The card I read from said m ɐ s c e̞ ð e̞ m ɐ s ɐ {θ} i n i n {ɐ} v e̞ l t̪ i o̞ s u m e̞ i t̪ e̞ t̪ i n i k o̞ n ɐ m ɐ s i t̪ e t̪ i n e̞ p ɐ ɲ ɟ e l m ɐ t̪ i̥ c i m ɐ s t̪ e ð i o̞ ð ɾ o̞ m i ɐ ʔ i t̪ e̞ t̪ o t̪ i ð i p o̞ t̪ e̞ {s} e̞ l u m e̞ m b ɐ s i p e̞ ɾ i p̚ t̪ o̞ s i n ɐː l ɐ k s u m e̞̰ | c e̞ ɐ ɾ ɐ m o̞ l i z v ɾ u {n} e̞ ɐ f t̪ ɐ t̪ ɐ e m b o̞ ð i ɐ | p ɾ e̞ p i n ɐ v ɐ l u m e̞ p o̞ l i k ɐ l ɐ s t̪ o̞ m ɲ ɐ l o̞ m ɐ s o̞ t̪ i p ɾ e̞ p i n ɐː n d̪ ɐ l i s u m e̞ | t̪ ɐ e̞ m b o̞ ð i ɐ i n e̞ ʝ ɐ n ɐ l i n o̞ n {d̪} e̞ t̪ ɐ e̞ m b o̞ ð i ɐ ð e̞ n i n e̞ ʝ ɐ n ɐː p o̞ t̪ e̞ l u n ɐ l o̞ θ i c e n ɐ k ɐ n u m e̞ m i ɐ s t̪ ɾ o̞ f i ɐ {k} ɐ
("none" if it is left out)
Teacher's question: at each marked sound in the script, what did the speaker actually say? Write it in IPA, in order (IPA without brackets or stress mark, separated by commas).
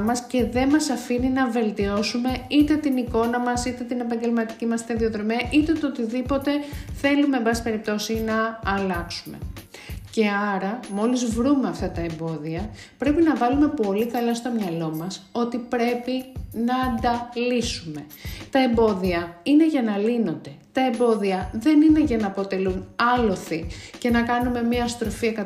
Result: f, ɐ, θ, m, d̪, k